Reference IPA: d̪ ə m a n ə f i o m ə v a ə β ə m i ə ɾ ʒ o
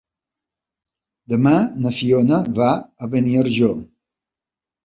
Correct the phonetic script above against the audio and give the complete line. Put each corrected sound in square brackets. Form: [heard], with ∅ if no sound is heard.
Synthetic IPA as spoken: d̪ ə m a n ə f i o [n] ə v a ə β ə [n] i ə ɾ ʒ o